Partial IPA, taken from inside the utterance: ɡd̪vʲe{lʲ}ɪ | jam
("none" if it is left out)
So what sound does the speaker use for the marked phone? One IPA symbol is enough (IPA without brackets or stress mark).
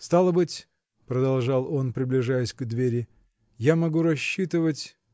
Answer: ɾʲ